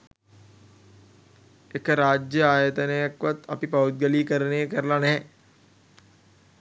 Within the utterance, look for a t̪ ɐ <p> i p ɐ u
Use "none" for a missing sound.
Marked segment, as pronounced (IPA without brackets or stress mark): p